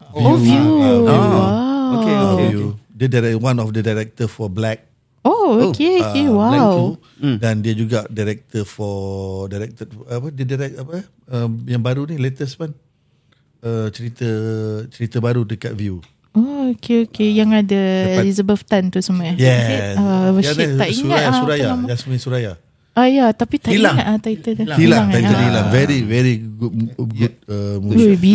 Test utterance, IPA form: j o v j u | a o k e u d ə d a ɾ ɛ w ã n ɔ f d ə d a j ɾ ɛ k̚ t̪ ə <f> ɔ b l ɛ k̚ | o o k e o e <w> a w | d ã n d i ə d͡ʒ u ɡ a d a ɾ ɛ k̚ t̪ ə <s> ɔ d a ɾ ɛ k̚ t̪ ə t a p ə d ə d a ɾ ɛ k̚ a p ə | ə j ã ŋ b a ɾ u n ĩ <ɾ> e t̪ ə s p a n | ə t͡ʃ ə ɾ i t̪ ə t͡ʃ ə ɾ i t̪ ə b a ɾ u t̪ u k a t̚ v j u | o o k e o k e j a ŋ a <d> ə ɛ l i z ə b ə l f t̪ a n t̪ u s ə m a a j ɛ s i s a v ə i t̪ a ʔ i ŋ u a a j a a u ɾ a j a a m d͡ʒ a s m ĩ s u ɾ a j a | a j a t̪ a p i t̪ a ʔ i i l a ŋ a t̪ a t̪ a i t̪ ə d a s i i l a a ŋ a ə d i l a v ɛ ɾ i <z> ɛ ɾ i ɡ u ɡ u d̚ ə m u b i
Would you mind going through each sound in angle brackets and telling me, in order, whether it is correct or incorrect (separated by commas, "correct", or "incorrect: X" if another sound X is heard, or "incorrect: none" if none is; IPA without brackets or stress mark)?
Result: correct, correct, incorrect: f, incorrect: l, correct, incorrect: v